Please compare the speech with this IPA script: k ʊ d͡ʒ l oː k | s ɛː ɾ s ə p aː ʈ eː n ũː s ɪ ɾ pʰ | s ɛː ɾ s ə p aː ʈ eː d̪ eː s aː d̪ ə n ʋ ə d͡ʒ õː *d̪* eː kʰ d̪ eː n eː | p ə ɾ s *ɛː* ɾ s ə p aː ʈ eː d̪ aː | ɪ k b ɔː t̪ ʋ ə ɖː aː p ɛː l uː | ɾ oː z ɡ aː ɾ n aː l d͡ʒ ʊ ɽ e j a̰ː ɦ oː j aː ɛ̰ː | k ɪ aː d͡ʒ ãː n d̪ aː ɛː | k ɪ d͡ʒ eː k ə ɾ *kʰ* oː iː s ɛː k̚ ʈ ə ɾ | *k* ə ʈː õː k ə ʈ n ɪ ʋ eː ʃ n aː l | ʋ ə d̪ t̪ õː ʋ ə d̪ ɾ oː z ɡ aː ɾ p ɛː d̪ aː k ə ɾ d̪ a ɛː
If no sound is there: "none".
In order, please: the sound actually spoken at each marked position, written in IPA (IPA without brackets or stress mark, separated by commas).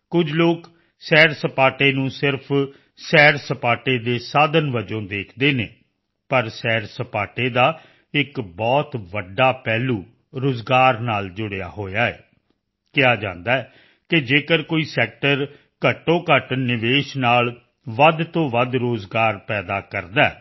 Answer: d̪, ɛː, k, k